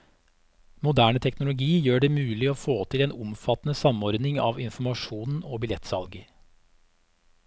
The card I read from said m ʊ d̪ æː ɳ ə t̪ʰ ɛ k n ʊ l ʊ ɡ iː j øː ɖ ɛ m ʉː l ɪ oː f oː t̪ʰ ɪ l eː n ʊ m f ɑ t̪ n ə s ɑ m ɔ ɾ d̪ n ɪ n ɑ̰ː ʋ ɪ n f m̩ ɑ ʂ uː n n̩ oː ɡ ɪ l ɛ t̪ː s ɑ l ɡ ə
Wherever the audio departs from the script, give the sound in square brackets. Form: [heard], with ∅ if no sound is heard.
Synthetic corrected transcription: m ʊ d̪ æː ɳ ə t̪ʰ ɛ k n ʊ l ʊ ɡ iː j øː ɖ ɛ m ʉː l ɪ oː f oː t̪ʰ ɪ l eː n ʊ m f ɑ t̪ n ə s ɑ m ɔ ɾ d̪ n ɪ [ŋ] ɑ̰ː ʋ ɪ n f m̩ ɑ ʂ uː n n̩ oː [b] ɪ l ɛ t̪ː s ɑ l ɡ ə